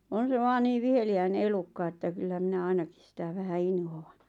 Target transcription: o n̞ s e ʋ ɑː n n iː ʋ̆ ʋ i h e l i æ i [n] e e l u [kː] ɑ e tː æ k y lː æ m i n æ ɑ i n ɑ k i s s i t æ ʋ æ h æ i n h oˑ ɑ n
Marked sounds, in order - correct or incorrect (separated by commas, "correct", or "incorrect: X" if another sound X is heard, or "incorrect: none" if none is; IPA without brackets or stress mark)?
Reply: correct, correct